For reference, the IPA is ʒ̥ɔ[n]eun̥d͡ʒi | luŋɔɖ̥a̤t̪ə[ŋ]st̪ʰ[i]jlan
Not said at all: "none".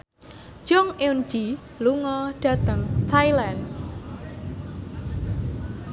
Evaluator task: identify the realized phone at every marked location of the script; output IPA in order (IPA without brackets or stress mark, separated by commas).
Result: ŋ, ŋ, a